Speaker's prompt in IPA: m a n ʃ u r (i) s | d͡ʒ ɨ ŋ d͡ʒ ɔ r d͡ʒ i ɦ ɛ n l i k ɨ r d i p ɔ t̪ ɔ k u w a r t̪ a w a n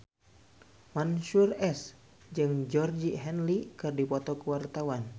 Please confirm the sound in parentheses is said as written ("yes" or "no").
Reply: no